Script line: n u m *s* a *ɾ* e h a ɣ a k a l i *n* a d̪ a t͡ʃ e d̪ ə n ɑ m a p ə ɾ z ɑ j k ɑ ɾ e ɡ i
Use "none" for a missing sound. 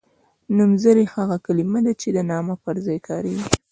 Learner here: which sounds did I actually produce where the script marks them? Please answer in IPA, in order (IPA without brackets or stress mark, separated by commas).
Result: z, ɾ, m